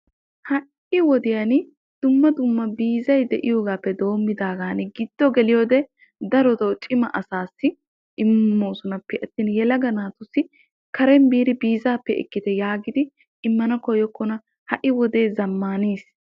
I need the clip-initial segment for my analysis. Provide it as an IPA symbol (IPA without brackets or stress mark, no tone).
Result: h